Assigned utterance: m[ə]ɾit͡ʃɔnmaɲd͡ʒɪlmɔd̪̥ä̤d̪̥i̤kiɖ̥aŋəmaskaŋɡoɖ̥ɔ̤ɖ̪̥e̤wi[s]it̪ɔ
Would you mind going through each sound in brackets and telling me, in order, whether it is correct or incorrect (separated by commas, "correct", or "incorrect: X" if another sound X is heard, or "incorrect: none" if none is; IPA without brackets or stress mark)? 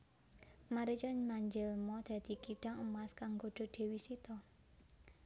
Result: incorrect: a, correct